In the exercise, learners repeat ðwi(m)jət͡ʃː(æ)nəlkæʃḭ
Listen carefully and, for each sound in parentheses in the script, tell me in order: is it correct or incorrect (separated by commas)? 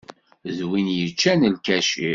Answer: incorrect, correct